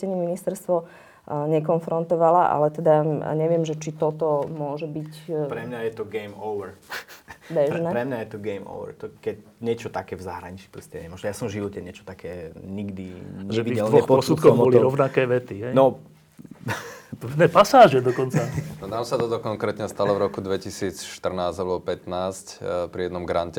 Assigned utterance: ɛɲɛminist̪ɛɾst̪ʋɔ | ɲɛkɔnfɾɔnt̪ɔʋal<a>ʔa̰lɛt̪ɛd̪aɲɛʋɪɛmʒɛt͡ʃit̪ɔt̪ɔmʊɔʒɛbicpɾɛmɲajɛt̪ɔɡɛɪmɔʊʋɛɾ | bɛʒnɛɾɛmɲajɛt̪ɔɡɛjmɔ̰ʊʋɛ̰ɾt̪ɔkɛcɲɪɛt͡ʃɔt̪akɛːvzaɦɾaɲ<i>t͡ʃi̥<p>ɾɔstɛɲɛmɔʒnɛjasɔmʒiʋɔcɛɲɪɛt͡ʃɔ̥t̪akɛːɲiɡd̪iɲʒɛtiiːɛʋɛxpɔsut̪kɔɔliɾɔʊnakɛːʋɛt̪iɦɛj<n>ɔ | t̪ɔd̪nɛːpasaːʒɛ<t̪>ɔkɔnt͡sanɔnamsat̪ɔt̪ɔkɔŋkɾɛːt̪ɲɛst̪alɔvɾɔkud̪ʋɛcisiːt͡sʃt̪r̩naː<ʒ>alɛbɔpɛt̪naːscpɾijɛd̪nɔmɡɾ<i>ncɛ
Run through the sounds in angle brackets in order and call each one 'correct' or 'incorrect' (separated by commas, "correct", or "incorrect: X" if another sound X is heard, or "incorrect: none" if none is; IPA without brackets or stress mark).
correct, correct, correct, correct, incorrect: d̪, incorrect: z, incorrect: a